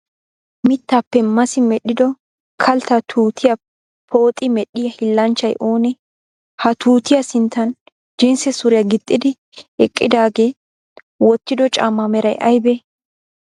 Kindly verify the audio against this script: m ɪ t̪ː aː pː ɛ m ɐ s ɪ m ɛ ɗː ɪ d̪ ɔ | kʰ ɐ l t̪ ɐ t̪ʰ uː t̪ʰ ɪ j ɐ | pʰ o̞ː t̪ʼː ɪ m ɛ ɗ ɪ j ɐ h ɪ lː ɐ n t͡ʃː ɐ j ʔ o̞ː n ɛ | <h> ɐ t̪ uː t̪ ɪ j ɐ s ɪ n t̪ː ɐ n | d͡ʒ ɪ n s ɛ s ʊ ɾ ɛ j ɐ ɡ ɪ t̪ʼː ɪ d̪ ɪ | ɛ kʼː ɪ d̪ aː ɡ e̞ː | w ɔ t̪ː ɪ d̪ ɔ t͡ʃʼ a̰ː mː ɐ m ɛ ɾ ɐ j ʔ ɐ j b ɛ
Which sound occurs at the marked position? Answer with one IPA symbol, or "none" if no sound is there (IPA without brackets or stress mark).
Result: h